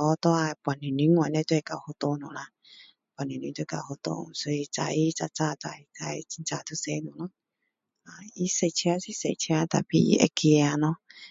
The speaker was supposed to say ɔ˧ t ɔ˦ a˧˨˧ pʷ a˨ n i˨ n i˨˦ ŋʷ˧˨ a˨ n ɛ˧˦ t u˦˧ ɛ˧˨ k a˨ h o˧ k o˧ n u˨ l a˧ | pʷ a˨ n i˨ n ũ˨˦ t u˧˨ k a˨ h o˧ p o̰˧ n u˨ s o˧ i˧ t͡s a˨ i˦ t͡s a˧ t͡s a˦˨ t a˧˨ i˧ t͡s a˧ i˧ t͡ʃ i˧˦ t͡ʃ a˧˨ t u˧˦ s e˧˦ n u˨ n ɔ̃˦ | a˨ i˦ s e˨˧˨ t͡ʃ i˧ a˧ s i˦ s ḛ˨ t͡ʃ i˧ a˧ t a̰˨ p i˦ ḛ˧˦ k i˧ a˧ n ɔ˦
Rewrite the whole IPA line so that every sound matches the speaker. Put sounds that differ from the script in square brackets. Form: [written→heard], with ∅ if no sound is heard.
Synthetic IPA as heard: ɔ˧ t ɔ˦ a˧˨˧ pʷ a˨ n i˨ n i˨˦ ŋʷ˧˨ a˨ n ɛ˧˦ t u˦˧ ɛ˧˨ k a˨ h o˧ [k→t] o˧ n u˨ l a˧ | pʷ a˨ n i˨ n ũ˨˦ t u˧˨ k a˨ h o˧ [p→t] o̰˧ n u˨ s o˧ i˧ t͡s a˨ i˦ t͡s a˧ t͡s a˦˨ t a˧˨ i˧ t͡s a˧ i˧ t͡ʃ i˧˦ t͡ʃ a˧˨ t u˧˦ s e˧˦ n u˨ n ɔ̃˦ | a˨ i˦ s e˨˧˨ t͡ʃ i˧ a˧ s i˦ s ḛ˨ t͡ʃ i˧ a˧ t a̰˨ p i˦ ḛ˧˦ k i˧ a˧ n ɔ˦